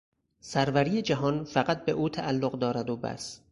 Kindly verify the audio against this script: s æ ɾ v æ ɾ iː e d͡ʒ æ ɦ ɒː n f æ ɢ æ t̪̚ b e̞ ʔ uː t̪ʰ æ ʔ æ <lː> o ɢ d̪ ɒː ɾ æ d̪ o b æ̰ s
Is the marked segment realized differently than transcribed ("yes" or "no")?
no